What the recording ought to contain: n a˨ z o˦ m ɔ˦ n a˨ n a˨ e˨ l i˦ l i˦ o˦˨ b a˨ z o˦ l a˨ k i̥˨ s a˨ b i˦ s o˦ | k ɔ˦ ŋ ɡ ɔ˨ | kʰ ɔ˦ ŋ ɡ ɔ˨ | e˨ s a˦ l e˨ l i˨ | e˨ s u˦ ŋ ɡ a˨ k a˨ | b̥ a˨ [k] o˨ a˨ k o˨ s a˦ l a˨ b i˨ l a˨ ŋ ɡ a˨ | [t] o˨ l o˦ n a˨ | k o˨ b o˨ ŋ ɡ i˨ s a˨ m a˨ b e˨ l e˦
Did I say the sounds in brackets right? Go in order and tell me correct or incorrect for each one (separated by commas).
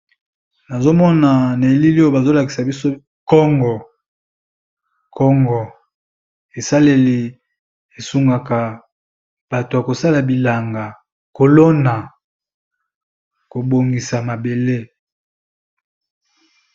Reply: incorrect, incorrect